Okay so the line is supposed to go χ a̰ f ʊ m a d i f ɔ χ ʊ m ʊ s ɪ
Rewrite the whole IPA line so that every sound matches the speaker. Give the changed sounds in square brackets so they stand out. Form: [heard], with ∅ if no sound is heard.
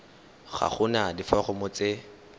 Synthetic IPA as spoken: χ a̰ [χ] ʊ [n] a d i f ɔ χ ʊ m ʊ [t͡s] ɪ